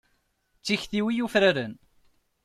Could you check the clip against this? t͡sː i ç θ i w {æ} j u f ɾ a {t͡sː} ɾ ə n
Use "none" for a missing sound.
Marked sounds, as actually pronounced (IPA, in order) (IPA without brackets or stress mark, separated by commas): i, none